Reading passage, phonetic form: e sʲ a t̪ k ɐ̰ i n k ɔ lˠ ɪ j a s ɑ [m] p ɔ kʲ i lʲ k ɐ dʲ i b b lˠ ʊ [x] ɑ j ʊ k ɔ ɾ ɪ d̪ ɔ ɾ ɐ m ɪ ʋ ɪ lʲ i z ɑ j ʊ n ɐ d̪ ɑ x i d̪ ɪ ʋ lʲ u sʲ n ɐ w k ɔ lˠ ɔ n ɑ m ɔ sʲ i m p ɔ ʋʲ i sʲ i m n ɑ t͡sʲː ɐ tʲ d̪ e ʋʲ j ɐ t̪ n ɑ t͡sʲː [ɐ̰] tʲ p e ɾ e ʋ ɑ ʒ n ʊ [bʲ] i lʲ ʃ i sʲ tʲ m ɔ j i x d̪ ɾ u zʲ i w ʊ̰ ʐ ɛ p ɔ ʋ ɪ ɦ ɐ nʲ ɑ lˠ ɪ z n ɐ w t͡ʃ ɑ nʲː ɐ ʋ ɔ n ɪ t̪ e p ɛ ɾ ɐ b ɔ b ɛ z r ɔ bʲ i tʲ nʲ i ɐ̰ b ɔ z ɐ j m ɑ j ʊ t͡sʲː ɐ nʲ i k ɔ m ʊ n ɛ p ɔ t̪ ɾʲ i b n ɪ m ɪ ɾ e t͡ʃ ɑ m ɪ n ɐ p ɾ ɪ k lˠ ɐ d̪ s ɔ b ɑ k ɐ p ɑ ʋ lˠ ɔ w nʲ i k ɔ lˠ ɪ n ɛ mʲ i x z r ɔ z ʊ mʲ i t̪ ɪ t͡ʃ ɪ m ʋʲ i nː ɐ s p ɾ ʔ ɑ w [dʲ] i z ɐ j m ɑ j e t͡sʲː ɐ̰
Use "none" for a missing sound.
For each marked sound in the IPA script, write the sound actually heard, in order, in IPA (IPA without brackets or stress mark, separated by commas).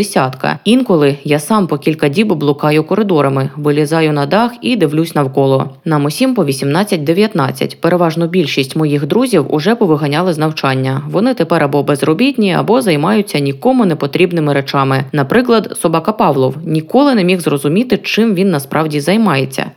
m, k, ɐ̰, bʲ, dʲ